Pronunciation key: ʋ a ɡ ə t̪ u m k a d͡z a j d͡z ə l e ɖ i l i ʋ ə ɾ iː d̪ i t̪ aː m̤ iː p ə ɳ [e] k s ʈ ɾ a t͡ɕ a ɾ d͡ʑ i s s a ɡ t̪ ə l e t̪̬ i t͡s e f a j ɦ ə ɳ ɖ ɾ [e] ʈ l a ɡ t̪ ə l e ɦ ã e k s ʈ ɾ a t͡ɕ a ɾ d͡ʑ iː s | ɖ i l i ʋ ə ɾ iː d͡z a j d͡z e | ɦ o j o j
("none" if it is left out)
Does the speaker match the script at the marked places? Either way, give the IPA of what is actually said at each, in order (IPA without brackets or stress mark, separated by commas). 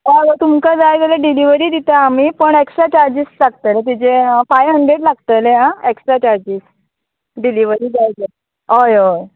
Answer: e, e